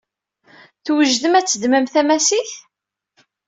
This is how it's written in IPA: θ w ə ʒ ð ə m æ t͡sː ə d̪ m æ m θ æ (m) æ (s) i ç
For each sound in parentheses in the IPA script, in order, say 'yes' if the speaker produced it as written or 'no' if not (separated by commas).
yes, yes